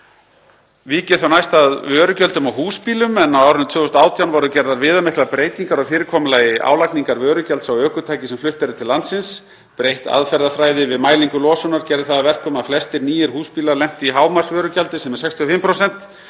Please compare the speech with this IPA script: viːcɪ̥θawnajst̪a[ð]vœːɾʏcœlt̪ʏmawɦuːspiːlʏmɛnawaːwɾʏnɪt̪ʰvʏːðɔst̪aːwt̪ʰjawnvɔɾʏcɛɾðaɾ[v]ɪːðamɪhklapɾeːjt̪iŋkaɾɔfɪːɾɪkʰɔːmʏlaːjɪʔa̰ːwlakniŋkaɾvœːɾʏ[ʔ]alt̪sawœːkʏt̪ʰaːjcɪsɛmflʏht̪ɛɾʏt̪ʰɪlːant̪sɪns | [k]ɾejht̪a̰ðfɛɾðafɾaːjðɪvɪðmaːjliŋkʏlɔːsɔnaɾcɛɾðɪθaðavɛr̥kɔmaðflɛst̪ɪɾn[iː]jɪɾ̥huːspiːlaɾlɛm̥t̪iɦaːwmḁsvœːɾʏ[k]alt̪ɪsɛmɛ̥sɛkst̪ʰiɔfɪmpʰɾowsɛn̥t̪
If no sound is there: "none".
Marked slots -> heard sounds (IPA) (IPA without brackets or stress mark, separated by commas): ð, v, c, p, iː, c